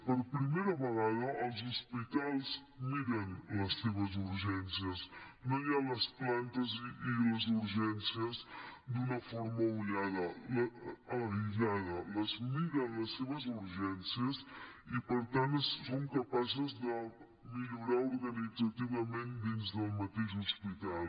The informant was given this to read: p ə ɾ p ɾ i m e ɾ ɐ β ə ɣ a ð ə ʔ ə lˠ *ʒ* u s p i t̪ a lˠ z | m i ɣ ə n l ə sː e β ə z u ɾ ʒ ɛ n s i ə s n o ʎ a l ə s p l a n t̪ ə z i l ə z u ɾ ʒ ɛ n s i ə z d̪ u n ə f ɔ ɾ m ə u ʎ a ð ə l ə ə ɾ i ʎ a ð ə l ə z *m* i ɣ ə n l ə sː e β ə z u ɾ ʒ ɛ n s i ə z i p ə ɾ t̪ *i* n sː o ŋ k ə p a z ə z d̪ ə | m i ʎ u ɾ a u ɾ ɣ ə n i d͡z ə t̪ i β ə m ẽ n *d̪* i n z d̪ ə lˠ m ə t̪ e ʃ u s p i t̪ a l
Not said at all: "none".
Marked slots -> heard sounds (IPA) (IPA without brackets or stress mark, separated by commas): z, m, a, d̪